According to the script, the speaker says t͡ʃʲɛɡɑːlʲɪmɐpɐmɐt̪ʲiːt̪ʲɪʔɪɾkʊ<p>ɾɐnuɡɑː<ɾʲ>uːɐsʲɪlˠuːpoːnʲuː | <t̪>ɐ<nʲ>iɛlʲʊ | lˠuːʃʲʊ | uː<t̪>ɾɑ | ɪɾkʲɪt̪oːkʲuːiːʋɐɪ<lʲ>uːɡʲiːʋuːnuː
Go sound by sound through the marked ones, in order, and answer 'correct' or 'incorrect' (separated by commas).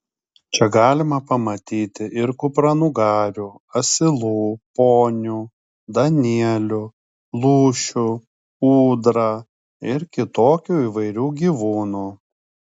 correct, correct, incorrect, correct, incorrect, incorrect